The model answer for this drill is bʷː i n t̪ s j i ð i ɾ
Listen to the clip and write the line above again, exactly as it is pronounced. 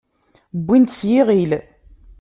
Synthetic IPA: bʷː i n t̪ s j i ʁ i l